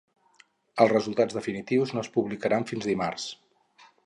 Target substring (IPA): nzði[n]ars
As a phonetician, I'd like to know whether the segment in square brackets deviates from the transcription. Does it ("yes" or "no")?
yes